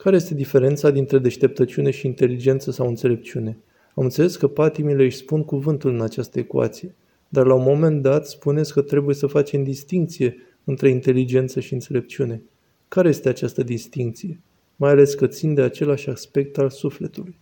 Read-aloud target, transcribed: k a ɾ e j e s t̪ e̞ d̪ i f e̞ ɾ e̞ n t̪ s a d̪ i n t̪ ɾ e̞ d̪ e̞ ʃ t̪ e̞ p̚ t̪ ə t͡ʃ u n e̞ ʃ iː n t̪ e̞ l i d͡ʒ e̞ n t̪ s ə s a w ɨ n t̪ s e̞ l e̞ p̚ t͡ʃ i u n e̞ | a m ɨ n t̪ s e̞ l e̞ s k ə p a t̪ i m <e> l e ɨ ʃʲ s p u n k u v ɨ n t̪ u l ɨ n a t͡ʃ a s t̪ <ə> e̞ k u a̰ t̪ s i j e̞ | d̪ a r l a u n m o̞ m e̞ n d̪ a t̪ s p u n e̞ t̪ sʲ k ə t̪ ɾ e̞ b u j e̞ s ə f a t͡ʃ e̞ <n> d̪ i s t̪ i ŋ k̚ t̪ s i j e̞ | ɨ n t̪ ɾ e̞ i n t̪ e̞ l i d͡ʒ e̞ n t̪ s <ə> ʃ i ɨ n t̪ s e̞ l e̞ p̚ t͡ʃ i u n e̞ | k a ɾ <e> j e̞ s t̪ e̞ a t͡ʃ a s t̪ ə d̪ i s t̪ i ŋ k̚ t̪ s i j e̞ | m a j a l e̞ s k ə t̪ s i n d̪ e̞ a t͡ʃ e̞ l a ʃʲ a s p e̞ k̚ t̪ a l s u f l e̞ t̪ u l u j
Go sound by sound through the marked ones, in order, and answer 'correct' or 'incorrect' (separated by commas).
incorrect, correct, incorrect, correct, correct